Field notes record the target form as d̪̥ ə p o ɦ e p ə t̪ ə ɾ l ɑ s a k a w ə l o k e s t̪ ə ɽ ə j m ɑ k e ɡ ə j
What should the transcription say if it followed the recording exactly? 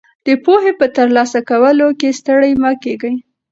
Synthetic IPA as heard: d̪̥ ə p o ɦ e p ə t̪ ə ɾ l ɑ s a k a w ə l o k e s t̪ ə ɽ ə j m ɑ k e ɡ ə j

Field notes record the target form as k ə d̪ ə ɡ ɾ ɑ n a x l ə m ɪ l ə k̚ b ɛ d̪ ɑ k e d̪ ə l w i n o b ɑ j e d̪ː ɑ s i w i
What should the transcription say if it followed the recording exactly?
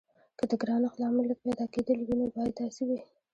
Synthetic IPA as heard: k ə d̪ ə ɡ ɾ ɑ n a x l ɑ m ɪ l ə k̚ p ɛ d̪ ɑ k e d̪ ə l w i n o b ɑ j a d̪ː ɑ s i w i

